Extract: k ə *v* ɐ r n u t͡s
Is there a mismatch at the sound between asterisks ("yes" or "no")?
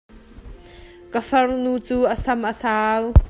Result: yes